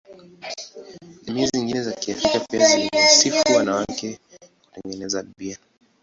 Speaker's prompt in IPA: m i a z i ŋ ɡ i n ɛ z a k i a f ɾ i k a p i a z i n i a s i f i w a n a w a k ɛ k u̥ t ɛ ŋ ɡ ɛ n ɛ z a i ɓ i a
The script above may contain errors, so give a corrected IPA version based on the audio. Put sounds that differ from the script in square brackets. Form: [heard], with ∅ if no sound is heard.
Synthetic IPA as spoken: m i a z i ŋ ɡ i n ɛ z a k i a f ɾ i k a p i a z i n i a s i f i w a n a w a k ɛ k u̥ t ɛ ŋ ɡ ɛ n ɛ z a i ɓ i a